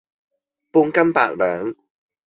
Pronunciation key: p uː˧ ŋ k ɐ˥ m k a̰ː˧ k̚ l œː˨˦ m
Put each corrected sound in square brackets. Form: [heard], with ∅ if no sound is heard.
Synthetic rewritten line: p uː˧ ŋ k ɐ˥ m [p] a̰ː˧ k̚ l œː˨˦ [ŋ]